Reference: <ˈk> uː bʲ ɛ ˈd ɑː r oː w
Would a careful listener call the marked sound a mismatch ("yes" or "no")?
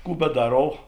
no